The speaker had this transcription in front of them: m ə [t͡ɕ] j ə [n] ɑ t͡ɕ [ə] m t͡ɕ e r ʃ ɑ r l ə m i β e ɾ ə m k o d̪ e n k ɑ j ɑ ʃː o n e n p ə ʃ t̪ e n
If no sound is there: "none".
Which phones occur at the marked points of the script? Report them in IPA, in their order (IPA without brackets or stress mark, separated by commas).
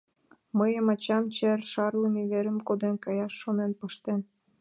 none, m, ɑ